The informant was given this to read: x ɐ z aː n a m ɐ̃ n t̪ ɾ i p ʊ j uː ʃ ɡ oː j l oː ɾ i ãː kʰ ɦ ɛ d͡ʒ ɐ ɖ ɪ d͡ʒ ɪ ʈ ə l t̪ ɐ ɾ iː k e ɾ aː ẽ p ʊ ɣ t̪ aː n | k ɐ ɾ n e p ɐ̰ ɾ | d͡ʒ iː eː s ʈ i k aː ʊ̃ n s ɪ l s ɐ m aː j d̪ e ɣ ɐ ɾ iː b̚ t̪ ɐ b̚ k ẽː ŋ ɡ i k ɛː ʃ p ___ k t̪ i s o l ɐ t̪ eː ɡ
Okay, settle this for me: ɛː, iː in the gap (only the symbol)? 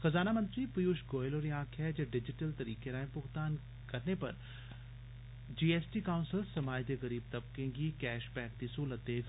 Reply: ɛː